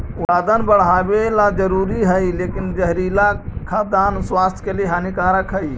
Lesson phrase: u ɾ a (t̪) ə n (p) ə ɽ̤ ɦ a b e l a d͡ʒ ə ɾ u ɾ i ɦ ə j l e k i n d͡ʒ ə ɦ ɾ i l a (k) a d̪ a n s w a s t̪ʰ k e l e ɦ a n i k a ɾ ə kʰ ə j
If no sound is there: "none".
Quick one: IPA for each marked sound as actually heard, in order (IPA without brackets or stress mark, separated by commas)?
d̪, b, kʰ